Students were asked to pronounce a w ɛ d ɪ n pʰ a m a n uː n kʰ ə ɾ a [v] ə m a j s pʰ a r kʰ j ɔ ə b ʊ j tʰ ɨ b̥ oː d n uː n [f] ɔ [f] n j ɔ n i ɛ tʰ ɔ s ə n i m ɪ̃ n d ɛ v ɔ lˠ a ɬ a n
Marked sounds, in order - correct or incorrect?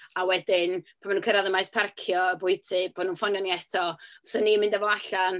incorrect, correct, incorrect

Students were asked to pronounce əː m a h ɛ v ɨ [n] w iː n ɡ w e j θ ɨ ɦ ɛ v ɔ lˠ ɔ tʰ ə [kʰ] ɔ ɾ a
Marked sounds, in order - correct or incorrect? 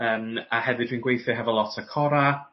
incorrect, correct

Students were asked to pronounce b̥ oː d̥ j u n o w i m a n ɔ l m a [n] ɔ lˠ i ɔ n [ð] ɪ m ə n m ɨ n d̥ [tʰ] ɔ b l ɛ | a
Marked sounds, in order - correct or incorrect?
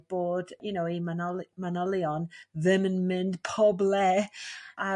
correct, correct, incorrect

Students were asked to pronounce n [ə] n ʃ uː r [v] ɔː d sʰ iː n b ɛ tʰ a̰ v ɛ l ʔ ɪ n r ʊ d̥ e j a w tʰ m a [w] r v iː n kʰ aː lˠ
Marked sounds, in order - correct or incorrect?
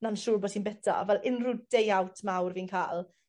incorrect, incorrect, correct

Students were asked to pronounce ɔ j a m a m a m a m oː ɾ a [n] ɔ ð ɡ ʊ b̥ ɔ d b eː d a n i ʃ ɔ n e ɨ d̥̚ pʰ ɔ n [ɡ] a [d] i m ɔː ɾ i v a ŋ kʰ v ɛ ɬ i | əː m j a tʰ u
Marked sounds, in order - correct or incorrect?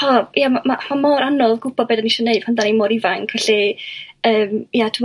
correct, incorrect, incorrect

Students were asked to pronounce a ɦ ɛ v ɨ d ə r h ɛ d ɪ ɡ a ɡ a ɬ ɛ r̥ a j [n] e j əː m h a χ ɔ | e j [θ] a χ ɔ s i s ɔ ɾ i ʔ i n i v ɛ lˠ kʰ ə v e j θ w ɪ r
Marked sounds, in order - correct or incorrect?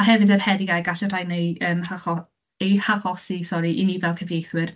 correct, incorrect

